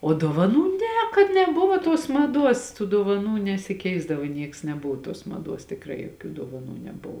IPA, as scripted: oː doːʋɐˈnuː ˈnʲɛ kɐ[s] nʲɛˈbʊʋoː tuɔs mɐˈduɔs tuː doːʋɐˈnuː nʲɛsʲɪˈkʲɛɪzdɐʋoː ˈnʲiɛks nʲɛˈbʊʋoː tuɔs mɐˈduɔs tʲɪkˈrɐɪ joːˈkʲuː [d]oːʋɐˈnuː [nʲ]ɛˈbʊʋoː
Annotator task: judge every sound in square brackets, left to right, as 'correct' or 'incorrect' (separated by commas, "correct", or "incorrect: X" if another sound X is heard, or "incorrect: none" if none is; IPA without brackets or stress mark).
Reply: incorrect: t, correct, correct